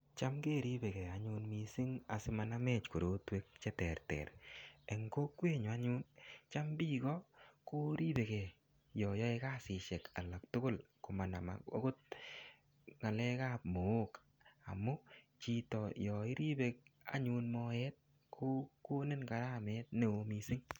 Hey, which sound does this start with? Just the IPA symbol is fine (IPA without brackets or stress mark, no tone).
t͡ʃ